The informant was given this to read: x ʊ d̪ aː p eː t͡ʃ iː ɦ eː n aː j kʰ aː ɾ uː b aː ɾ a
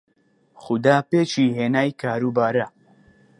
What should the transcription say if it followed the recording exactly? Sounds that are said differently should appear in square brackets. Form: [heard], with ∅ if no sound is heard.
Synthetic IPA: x ʊ d̪ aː p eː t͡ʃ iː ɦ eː n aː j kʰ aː ɾ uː b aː ɾ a